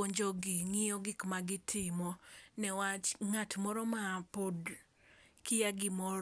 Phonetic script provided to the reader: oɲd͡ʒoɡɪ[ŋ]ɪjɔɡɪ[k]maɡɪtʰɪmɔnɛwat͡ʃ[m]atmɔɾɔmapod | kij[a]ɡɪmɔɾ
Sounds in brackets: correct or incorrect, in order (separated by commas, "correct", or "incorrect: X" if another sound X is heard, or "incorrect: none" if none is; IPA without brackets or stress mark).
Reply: correct, correct, incorrect: ŋ, correct